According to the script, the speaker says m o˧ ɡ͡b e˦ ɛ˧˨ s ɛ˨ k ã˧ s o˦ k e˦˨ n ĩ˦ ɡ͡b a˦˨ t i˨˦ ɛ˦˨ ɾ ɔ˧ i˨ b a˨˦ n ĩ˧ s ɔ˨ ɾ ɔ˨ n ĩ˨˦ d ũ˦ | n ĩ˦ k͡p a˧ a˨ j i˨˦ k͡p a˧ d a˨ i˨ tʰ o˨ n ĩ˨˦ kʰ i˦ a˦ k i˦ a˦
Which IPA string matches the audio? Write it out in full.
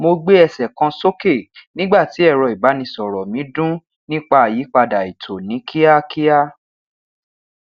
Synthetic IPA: m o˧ ɡ͡b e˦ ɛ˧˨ s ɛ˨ k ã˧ s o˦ k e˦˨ n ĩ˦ ɡ͡b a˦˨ t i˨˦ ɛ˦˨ ɾ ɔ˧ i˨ b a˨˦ n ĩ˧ s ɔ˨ ɾ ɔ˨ m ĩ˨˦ d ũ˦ | n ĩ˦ k͡p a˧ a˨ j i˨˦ k͡p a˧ d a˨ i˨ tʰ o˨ n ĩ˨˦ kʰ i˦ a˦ k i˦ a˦